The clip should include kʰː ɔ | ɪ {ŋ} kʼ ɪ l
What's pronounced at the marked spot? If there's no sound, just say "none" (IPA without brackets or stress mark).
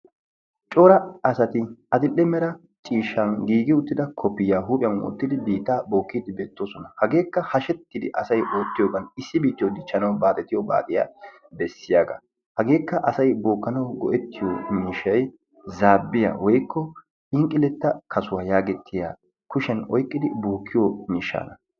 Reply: ŋ